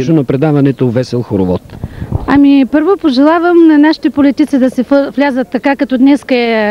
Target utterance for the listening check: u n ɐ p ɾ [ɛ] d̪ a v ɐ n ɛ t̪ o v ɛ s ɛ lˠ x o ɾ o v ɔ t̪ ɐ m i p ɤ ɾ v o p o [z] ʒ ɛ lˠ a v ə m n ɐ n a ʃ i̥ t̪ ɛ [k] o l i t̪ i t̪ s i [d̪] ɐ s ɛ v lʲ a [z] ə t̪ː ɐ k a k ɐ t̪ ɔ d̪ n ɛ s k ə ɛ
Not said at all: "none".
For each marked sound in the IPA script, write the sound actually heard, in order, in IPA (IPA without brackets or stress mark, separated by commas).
ɛ, none, p, d̪, z